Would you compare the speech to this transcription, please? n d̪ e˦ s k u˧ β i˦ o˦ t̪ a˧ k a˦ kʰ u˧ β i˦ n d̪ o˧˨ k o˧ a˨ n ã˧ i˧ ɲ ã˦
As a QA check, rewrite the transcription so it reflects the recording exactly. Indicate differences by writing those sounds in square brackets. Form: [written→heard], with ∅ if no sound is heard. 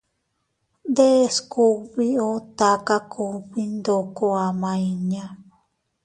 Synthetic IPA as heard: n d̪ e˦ s k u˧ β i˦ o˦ t̪ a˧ k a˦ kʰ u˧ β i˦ n d̪ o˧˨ k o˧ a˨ [n→m] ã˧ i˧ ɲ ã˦